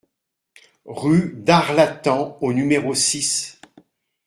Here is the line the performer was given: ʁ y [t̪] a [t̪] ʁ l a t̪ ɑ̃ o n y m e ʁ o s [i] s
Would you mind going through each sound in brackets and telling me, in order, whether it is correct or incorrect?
incorrect: d̪, incorrect: none, correct

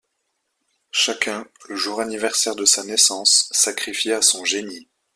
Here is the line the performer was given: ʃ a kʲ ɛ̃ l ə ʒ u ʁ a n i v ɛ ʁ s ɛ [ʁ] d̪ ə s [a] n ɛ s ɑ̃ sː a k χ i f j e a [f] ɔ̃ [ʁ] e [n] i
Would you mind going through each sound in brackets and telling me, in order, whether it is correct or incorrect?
correct, correct, incorrect: s, incorrect: ʒ, correct

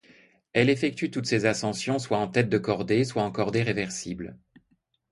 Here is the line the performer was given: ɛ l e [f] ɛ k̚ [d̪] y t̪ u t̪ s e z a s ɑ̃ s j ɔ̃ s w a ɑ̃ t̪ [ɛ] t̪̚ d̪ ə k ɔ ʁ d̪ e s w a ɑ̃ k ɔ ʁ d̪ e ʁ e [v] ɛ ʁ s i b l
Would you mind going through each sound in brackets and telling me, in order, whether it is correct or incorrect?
correct, incorrect: t̪, correct, correct

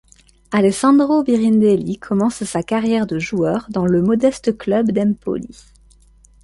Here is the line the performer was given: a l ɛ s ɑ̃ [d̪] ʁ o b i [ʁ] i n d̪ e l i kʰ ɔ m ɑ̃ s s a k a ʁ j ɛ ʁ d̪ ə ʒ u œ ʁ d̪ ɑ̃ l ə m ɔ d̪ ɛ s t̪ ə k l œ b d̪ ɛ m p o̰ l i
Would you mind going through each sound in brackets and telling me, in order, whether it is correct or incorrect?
correct, correct

